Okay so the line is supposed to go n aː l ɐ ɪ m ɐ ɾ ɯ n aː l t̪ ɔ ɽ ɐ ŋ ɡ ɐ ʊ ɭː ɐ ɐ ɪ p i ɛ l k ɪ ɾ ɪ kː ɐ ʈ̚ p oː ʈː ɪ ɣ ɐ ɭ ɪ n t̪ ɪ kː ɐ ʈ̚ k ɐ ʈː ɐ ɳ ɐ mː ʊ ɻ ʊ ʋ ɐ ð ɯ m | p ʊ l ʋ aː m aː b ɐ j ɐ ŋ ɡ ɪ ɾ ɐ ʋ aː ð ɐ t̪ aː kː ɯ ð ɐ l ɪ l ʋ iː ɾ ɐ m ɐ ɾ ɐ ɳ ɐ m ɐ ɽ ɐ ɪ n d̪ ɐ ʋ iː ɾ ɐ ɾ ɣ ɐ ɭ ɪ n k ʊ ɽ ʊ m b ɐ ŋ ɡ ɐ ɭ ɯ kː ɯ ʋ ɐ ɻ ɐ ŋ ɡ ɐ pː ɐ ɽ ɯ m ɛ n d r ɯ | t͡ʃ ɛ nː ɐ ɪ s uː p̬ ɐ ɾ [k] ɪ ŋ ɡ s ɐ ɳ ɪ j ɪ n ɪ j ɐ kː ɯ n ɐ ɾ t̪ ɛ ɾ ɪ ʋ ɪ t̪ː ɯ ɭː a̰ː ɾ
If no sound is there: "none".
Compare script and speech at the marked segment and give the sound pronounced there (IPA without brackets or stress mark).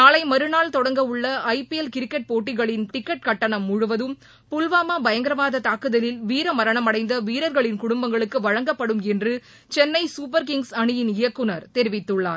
k